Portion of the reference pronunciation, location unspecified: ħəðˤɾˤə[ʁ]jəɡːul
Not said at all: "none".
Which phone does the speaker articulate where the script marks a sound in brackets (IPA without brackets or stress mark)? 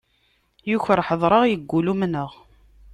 ʁ